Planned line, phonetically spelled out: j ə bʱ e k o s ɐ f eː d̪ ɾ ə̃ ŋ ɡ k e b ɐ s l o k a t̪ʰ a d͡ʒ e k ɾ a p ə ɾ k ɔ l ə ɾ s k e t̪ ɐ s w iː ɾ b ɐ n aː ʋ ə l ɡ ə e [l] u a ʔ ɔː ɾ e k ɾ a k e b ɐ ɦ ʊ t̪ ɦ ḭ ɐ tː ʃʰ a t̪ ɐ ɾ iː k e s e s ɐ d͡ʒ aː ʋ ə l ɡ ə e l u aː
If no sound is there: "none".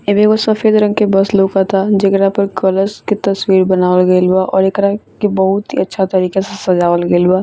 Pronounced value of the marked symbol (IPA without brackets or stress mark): l